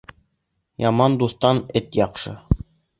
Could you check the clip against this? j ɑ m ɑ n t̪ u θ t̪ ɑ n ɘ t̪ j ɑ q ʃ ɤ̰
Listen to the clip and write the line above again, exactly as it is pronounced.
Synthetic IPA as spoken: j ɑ m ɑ n d̪ u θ t̪ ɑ n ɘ t̪ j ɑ q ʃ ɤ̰